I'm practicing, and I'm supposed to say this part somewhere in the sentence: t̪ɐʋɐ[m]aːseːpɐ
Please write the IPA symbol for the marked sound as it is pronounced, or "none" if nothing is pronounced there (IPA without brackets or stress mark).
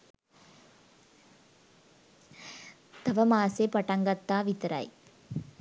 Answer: m